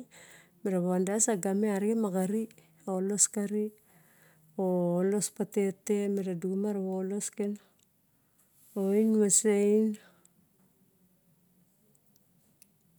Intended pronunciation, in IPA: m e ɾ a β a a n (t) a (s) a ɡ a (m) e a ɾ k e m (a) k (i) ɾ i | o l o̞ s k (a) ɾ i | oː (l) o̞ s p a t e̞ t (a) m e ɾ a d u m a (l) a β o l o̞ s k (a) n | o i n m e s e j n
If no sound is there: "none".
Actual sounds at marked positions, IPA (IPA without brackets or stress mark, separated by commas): d, s, m, a, a, a, l, e, ɾ, e